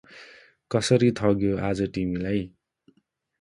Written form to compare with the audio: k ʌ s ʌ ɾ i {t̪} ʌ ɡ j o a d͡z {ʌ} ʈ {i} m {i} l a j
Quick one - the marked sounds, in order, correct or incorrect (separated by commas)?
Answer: incorrect, correct, correct, correct